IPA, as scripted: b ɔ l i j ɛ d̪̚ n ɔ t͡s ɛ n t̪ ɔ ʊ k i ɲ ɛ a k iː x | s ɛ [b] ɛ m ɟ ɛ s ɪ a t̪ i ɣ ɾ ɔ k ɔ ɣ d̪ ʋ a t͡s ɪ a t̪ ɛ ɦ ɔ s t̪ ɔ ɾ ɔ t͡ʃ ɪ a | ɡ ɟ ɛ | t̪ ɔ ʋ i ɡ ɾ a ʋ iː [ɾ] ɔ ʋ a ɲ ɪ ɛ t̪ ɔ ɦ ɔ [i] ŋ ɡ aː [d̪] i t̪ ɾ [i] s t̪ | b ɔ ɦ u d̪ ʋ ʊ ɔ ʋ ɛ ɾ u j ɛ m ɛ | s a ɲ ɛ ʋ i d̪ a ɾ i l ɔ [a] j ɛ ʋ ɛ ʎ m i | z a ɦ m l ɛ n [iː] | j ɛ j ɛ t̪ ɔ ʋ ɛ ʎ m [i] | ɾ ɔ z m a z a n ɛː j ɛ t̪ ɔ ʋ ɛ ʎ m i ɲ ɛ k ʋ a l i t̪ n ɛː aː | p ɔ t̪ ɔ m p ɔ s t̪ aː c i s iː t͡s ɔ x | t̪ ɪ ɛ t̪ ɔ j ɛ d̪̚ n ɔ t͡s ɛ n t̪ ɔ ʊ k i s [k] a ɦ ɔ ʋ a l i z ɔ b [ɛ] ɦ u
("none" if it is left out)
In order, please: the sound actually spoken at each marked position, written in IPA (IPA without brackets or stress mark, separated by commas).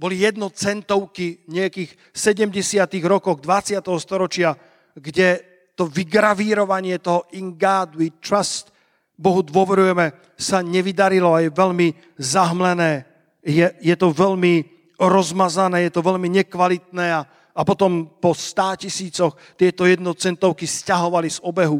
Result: ɟ, ɾ, i, d̪, a, a, ɛː, i, c, ɛ